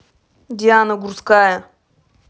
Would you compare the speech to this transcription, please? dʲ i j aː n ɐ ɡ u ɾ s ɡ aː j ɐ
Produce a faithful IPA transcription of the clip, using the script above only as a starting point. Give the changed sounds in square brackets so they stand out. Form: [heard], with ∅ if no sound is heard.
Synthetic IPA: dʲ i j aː n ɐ ɡ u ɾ s [k] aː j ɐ